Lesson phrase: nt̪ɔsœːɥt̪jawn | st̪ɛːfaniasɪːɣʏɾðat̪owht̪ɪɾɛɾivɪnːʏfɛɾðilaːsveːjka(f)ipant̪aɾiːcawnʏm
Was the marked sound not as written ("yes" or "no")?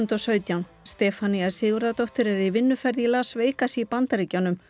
yes